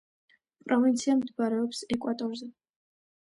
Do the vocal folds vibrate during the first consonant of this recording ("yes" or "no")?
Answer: no